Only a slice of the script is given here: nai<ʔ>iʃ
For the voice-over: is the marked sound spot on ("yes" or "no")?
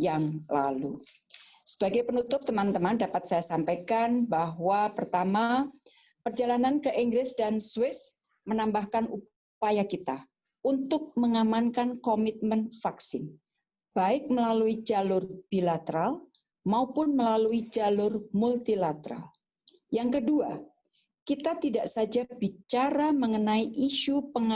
yes